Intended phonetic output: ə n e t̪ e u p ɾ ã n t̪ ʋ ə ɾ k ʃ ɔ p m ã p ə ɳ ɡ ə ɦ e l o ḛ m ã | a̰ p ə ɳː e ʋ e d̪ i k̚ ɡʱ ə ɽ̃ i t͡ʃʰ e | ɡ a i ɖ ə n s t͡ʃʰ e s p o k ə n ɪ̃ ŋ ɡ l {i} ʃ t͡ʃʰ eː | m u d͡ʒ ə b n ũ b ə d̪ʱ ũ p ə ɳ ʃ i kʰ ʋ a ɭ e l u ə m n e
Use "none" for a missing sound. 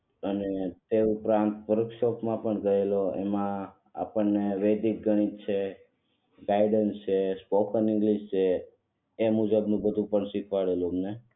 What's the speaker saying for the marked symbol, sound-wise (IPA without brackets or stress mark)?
i